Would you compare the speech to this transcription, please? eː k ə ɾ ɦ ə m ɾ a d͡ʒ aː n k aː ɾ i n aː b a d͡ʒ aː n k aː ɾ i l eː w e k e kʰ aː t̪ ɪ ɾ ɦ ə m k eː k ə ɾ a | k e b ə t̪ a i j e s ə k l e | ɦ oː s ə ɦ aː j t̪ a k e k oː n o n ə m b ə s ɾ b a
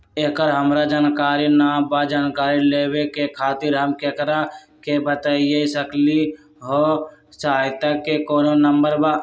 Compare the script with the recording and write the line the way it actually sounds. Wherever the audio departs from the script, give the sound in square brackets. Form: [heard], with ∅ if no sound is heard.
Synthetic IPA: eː k ə ɾ ɦ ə m ɾ a d͡ʒ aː n k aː ɾ i n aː b a d͡ʒ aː n k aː ɾ i l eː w e k e kʰ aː t̪ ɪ ɾ ɦ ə m k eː k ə ɾ a | k e b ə t̪ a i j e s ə k l [i] | ɦ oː s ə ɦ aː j t̪ a k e k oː n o n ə m b ə [∅] ɾ b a